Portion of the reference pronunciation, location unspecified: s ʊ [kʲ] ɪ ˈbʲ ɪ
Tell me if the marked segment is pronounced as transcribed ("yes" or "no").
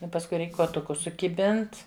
yes